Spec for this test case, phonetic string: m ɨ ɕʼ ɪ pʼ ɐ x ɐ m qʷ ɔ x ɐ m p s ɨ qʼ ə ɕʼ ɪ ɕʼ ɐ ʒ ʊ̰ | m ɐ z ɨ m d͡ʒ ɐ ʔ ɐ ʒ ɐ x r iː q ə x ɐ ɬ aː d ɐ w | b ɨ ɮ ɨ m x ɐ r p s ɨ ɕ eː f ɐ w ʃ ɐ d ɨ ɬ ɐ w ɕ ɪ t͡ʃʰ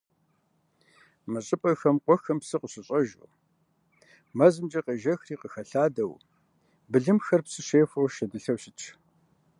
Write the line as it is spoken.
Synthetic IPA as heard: m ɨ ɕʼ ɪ pʼ ɐ x ɐ m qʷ ɔ x ɐ m p s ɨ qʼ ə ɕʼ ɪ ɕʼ ɐ ʒ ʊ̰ | m ɐ z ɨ m d͡ʒ ɐ q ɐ ʒ ɐ x r iː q ə x ɐ ɬ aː d ɐ w | b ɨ ɮ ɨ m x ɐ r p s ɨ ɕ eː f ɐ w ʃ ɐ d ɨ ɬ ɐ w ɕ ɪ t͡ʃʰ